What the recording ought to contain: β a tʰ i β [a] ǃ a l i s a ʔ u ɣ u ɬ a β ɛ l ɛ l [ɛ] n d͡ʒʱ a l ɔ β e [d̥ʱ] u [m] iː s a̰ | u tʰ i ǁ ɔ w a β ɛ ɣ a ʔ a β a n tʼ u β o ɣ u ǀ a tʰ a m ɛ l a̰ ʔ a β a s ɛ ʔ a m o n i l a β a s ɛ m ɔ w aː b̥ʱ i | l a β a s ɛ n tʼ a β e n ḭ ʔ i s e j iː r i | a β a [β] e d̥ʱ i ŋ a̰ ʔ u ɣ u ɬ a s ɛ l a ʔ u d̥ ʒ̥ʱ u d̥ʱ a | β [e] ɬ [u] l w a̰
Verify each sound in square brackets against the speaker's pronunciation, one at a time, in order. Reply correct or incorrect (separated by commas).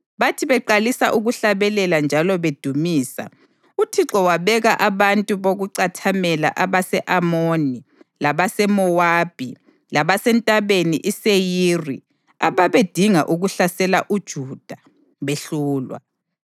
incorrect, incorrect, correct, correct, correct, correct, incorrect